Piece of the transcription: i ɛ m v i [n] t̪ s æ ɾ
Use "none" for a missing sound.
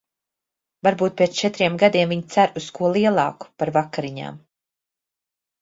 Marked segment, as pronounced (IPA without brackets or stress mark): ɲ